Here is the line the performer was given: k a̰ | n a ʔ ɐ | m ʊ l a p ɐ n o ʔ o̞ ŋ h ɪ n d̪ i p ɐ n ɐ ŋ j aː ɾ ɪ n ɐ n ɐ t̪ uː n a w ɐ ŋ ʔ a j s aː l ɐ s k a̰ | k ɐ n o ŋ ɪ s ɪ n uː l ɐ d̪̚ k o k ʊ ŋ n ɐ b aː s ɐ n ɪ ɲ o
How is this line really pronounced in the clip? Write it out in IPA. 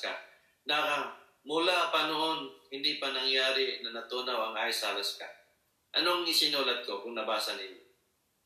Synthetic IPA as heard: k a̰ | n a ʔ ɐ | m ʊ l a p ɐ n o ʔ o̞ n h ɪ n d̪ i p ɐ n ɐ ŋ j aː ɾ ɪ n ɐ n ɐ t̪ uː n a w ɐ ŋ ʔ a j s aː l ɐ s k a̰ | ʔ ɐ n o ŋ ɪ s ɪ n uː l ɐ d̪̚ k o k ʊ ŋ n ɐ b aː s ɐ n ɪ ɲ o